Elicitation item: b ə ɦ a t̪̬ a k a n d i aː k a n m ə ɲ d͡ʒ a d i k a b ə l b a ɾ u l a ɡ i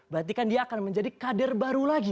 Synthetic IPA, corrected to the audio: b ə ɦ a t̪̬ i k a n d i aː k a n m ə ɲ d͡ʒ a d i k a d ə r b a ɾ u l a ɡ i